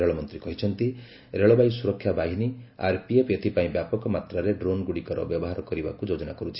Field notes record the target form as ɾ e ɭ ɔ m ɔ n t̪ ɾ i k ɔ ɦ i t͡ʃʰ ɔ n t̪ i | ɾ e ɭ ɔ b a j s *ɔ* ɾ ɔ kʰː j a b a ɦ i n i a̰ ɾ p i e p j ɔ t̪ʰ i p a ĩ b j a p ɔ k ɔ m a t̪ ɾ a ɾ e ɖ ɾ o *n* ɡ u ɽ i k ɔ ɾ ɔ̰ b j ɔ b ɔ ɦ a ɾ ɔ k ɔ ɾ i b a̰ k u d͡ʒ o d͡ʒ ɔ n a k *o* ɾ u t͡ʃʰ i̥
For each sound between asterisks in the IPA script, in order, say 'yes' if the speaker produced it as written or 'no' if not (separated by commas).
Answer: no, yes, no